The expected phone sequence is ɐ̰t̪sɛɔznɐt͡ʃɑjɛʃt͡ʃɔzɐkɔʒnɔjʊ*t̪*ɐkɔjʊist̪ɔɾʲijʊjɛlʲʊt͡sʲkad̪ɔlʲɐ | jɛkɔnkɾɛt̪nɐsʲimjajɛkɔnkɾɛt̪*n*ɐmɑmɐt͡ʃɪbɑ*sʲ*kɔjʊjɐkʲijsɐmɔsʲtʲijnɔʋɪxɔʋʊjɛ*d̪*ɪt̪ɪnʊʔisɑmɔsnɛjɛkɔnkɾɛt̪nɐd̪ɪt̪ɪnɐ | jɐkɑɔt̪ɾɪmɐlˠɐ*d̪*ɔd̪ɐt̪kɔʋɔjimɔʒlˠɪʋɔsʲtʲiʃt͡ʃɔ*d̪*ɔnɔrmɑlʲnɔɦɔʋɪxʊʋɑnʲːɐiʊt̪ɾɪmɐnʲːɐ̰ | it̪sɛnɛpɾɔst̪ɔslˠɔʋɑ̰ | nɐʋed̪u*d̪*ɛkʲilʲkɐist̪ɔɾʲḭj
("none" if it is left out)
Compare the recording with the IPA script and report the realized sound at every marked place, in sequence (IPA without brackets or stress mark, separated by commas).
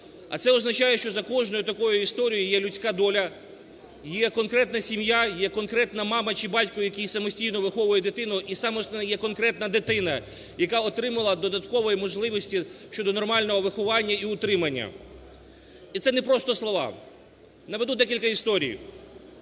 t̪, n, tʲ, d̪, d̪, d̪, d̪